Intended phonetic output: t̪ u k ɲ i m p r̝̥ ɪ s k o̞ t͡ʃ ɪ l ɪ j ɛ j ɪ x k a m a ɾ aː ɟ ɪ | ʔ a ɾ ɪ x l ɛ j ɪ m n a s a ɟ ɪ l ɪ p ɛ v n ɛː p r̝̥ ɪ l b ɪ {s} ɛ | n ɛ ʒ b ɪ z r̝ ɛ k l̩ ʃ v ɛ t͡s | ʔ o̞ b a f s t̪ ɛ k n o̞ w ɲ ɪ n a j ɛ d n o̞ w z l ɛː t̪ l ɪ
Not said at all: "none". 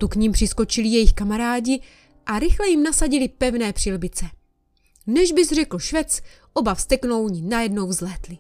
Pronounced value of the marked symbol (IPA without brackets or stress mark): t͡s